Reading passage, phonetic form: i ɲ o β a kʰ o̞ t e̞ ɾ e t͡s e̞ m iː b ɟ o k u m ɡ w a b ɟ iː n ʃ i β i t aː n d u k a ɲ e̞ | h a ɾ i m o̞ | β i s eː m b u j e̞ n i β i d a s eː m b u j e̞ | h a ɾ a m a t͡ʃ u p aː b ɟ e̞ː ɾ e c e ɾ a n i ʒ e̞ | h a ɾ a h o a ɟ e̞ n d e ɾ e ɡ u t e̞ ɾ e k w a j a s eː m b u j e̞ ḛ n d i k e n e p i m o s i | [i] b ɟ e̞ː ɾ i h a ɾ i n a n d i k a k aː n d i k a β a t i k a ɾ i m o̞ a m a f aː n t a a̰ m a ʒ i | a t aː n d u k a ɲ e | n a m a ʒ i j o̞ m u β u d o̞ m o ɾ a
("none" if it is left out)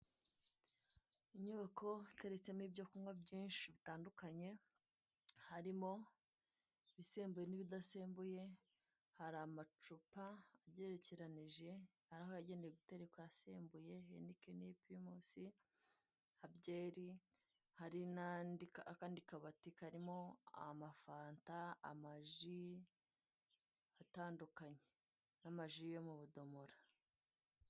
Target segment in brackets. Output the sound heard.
a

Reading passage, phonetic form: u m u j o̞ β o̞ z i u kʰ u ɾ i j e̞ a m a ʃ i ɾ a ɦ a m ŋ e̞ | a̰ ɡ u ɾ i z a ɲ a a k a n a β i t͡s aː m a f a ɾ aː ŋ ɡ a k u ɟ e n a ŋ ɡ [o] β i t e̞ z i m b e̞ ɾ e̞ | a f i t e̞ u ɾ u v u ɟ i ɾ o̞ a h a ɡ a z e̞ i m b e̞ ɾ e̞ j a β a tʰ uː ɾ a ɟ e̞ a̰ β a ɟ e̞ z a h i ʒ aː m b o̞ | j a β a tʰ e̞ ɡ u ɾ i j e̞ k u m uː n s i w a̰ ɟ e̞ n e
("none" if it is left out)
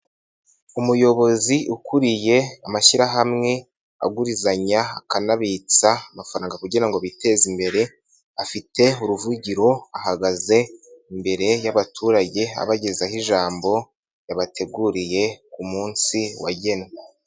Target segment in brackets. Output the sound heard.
o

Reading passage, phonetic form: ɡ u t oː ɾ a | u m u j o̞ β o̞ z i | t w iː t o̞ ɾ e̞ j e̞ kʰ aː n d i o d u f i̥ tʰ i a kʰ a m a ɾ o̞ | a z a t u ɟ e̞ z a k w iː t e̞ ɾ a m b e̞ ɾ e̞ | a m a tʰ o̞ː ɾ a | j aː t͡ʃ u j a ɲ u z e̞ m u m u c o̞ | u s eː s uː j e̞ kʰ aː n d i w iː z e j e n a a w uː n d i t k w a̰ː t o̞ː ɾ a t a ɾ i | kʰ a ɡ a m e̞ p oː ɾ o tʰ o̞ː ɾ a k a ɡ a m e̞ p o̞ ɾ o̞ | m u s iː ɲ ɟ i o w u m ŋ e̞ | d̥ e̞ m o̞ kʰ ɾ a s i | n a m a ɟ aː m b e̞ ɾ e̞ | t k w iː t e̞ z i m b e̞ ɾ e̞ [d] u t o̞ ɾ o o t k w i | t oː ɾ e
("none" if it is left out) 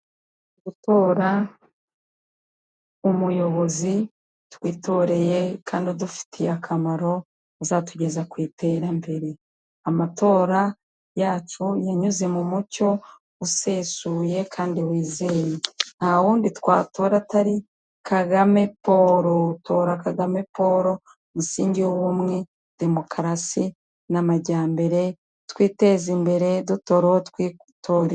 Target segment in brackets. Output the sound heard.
d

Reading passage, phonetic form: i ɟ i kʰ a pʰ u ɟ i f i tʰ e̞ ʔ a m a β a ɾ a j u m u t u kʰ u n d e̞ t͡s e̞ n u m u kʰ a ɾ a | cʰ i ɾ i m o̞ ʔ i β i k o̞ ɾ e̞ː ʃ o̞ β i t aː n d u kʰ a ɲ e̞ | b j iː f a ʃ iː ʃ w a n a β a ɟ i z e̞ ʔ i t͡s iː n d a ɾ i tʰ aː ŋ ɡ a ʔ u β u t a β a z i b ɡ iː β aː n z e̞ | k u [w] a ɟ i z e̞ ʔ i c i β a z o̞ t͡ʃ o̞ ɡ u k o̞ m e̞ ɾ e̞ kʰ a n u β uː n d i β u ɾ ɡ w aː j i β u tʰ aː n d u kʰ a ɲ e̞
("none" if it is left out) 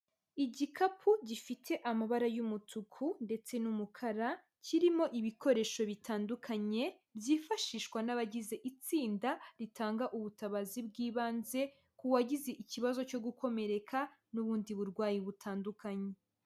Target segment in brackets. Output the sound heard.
w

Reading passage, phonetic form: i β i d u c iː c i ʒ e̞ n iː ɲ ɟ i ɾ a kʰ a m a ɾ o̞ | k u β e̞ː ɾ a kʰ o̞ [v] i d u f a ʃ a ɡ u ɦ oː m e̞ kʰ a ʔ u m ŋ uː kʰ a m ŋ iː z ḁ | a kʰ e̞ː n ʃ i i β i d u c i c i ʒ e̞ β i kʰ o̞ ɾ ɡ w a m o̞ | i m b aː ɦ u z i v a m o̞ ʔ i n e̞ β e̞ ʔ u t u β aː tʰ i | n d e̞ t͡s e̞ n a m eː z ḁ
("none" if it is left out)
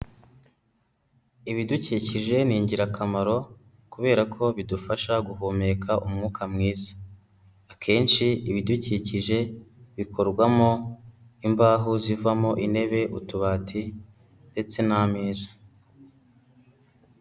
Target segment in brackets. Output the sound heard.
β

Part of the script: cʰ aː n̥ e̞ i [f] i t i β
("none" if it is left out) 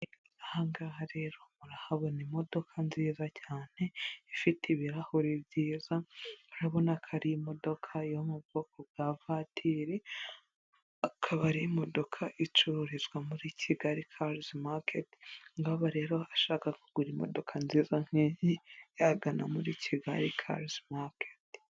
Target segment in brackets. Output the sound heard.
f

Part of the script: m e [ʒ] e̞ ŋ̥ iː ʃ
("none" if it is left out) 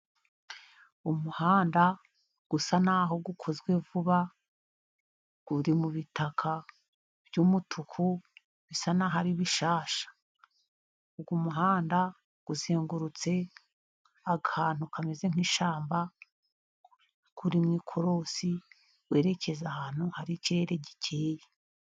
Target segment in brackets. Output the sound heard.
z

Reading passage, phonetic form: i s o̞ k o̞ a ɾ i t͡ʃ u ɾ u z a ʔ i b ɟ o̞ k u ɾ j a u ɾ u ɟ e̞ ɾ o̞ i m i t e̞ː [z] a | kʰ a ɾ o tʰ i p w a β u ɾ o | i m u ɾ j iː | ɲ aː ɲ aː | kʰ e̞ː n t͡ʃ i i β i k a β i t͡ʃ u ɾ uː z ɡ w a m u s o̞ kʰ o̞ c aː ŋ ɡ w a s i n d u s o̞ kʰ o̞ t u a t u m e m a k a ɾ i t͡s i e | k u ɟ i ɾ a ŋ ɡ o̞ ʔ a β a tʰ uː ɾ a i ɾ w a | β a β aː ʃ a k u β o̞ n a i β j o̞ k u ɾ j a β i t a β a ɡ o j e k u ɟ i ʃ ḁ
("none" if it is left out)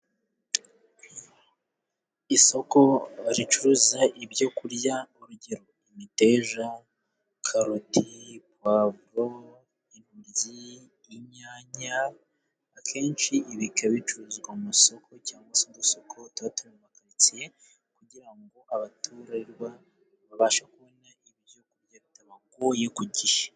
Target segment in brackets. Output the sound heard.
ʒ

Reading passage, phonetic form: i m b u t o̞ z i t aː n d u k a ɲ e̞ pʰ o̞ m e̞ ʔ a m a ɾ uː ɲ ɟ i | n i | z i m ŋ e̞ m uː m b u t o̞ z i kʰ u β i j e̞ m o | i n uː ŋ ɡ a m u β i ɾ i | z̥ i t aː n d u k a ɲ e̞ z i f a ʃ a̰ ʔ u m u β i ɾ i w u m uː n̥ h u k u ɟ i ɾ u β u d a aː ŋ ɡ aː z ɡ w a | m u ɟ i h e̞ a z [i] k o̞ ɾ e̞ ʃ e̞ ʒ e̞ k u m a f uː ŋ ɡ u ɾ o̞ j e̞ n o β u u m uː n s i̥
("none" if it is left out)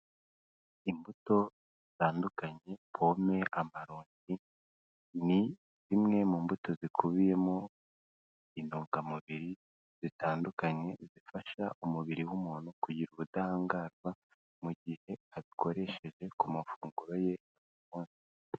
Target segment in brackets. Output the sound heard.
i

